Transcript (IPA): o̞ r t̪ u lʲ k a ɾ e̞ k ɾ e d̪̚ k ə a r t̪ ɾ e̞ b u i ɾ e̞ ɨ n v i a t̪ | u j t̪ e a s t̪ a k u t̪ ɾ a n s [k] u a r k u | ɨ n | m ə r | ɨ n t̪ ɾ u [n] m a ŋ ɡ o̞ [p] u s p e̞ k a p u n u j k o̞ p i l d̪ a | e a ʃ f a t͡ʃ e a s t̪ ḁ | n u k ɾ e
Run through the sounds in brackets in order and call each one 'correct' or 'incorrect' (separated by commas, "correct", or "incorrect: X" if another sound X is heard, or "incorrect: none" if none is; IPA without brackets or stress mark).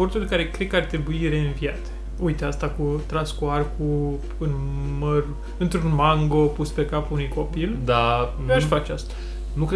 correct, correct, correct